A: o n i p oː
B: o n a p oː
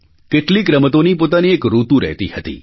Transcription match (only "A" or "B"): A